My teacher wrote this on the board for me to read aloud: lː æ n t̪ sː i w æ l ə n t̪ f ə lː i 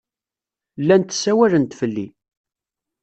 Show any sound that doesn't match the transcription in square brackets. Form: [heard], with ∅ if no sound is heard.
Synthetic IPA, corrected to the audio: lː æ n t̪ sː [æ] w æ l ə n t̪ f ə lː i